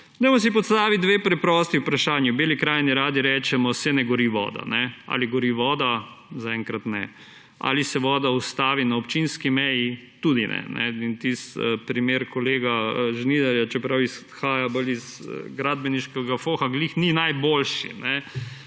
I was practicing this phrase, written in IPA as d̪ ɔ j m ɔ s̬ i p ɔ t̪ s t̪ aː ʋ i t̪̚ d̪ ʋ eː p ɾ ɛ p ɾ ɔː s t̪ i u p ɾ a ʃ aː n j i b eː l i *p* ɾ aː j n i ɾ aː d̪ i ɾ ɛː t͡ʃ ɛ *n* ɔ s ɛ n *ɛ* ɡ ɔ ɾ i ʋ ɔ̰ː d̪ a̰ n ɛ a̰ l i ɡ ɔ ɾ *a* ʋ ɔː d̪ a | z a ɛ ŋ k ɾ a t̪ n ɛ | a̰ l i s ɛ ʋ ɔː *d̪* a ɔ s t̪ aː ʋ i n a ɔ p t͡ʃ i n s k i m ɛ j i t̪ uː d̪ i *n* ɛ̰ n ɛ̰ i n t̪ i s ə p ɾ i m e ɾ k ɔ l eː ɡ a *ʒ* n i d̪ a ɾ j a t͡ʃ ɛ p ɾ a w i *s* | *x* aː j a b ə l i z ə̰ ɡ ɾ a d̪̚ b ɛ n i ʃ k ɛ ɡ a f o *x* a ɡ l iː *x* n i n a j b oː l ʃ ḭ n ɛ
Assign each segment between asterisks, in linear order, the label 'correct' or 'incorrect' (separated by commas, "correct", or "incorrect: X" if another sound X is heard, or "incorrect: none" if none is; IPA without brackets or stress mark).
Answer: incorrect: k, incorrect: m, correct, incorrect: i, correct, correct, correct, correct, correct, correct, correct